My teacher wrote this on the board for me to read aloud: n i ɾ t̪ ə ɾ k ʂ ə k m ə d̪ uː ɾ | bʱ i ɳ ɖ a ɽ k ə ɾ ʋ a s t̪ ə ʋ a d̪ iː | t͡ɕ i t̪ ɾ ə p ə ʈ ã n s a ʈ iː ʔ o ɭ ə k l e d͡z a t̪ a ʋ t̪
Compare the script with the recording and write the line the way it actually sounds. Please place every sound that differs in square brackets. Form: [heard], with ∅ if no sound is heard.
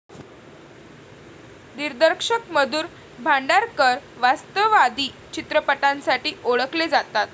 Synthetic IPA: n i ɾ [d̪] ə ɾ k ʂ ə k m ə d̪ uː ɾ | bʱ [a] ɳ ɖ a [ɾ] k ə ɾ ʋ a s t̪ ə ʋ a d̪ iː | t͡ɕ i t̪ ɾ ə p ə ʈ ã n s a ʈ iː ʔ o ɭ ə k l e d͡z a t̪ a [∅] t̪